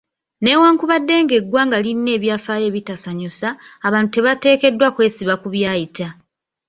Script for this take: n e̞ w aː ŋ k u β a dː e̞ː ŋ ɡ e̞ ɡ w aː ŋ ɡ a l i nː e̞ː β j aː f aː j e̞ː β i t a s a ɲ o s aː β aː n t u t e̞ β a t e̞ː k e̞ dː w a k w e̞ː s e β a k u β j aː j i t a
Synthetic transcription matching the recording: n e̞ w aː ŋ k u β a dː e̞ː ŋ ɡ e̞ ɡ w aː ŋ ɡ a l i nː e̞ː β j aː f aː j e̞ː β i t a s a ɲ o s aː β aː n t u t e̞ β a t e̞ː k e̞ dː w a k w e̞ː s i β a k u β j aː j i t a